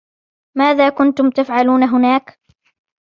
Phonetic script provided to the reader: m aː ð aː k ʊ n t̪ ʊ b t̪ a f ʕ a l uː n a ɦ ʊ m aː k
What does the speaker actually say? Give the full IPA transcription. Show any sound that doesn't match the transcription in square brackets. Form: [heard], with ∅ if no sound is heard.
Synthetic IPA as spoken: m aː ð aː k ʊ n t̪ ʊ [m] t̪ a f ʕ a l uː n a ɦ ʊ [n] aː k